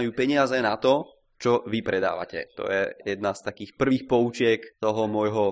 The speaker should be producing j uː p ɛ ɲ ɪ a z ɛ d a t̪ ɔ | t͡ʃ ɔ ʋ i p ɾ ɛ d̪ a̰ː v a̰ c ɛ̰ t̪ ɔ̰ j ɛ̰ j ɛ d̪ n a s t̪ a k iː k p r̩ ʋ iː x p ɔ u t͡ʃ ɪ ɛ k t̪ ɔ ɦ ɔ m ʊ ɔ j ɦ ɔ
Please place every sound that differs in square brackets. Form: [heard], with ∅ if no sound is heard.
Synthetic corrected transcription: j uː p ɛ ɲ ɪ a z ɛ [n] a t̪ ɔ | t͡ʃ ɔ ʋ i p ɾ ɛ d̪ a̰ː [ʋ] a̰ c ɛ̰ t̪ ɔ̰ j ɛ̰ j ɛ d̪ n a s t̪ a k iː [x] p r̩ ʋ iː x p ɔ u t͡ʃ ɪ ɛ k t̪ ɔ ɦ ɔ m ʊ ɔ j ɦ ɔ